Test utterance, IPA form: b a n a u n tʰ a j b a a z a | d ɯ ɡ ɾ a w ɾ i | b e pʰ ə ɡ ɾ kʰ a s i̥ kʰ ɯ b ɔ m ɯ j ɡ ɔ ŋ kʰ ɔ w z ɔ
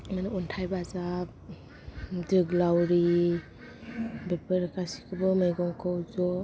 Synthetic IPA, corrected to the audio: m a n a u n tʰ a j b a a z a | d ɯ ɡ l a w ɾ i | b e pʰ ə ɾ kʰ a s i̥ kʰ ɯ b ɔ m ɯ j ɡ ɔ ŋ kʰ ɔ w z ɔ